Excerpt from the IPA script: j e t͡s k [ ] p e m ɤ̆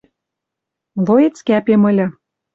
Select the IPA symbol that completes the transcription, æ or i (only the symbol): æ